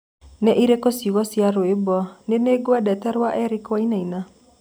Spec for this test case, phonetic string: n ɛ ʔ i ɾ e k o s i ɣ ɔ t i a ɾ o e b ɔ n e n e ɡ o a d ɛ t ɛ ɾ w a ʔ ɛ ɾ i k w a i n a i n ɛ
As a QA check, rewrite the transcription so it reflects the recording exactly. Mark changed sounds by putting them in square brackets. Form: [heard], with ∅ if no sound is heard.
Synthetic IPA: n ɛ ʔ i ɾ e k o s i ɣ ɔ [s] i a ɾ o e b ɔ n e n e ɡ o a d ɛ t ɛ ɾ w a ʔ ɛ ɾ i k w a i n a i n [a]